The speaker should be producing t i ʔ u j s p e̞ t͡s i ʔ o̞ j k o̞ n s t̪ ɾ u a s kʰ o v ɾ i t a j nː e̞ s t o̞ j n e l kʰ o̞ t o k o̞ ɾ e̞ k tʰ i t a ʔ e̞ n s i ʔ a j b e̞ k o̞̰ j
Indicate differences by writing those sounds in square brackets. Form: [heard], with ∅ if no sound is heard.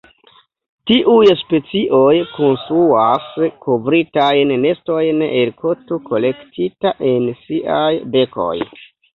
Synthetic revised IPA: t i ʔ u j s p e̞ t͡s i ʔ o̞ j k o̞ n s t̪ ɾ u a s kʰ o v ɾ i t a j nː e̞ s t o̞ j n e l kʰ o̞ t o k o̞ [l] e̞ k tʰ i t a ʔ e̞ n s i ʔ a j b e̞ k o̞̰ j

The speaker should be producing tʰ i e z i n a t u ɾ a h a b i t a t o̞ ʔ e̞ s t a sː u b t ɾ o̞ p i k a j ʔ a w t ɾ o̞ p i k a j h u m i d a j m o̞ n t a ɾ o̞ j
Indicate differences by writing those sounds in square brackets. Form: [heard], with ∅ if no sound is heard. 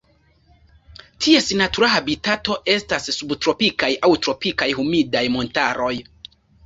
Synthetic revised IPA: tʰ i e [s] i n a t u ɾ a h a b i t a t o̞ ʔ e̞ s t a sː u b t ɾ o̞ p i k a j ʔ a w t ɾ o̞ p i k a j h u m i d a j m o̞ n t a ɾ o̞ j

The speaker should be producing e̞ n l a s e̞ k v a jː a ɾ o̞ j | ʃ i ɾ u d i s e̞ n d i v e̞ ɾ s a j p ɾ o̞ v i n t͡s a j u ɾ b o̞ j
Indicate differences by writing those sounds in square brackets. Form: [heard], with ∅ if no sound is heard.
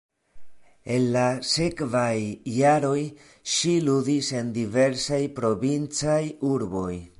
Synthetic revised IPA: e̞ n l a s e̞ k v a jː a ɾ o̞ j | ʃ i [l] u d i s e̞ n d i v e̞ ɾ s a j p ɾ o̞ v i n t͡s a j u ɾ b o̞ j

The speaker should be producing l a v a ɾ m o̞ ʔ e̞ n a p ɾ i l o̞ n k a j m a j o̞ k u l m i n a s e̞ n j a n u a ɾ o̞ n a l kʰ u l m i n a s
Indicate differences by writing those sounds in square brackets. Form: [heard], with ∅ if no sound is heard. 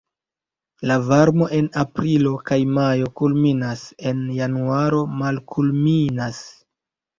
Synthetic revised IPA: l a v a ɾ m o̞ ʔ e̞ n a p ɾ i l o̞ [∅] k a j m a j o̞ k u l m i n a s e̞ n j a n u a ɾ o̞ [m] a l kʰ u l m i n a s

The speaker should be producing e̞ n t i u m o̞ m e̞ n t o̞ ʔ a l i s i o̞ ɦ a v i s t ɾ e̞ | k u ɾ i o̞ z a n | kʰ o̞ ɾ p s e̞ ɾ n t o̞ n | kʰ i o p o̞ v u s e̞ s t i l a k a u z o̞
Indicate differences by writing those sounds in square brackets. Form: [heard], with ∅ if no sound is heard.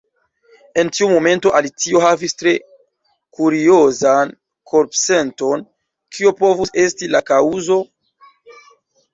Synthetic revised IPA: e̞ n t i u m o̞ m e̞ n t o̞ ʔ a l i [t͡s] i o̞ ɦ a v i s t ɾ e̞ | k u ɾ i o̞ z a n | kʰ o̞ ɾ p s e̞ [∅] n t o̞ n | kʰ i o p o̞ v u s e̞ s t i l a k a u z o̞

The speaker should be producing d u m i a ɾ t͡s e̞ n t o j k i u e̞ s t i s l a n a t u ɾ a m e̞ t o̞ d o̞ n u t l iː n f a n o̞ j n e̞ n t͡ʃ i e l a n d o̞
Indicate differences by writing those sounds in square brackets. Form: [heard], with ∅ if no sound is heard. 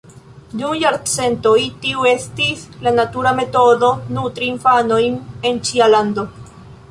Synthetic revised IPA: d u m [j] a ɾ t͡s e̞ n t o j [t] i u e̞ s t i s l a n a t u ɾ a m e̞ t o̞ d o̞ n u t [ɾ] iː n f a n o̞ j n e̞ n t͡ʃ i [a] l a n d o̞

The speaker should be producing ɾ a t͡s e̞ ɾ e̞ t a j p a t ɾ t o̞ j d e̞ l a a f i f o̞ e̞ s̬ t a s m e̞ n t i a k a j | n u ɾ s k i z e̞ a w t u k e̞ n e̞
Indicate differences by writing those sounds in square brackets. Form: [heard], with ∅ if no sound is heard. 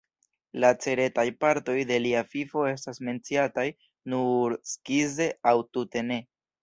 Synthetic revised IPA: [l] a t͡s e̞ ɾ e̞ t a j p a [∅] ɾ t o̞ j d e̞ l [i] a f i f o̞ e̞ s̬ t a s m e̞ n [t͡s] i a [t] a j | n u ɾ s k i z e̞ a w t u [t] e̞ n e̞

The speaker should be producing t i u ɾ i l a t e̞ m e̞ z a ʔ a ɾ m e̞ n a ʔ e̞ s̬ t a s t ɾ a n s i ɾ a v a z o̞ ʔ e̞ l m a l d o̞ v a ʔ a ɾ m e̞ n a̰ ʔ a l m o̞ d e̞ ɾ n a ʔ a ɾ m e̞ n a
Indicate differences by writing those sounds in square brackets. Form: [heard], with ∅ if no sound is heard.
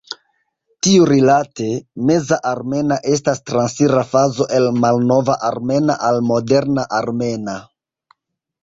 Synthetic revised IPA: t i u ɾ i l a t e̞ m e̞ z a ʔ a ɾ m e̞ n a ʔ e̞ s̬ t a s t ɾ a n s i ɾ a [f] a z o̞ ʔ e̞ l m a l [n] o̞ v a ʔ a ɾ m e̞ n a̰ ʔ a l m o̞ d e̞ ɾ n a ʔ a ɾ m e̞ n a

